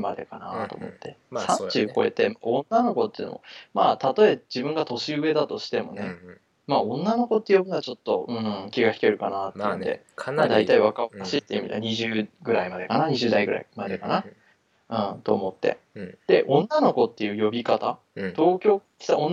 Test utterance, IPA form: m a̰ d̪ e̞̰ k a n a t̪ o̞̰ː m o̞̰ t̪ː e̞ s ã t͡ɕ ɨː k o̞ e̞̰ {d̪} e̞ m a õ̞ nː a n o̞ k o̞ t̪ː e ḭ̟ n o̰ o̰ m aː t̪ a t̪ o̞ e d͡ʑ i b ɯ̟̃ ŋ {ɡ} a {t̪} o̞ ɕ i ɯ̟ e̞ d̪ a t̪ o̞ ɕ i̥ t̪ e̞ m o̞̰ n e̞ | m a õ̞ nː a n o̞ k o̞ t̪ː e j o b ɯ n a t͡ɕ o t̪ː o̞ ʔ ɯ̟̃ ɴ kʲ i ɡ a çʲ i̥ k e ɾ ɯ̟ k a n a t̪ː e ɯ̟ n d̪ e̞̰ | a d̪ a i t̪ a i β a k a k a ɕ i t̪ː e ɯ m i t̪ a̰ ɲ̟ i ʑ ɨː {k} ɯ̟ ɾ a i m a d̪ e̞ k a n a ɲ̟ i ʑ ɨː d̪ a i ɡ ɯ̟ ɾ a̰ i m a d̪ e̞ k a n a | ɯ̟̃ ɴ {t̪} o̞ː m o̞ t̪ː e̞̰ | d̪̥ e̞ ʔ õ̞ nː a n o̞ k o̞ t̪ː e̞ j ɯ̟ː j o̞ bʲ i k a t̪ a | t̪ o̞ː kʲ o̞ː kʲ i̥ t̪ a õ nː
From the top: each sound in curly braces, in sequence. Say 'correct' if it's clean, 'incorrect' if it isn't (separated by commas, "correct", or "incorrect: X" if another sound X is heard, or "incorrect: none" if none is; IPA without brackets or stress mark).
incorrect: t̪, correct, correct, incorrect: ɡ, correct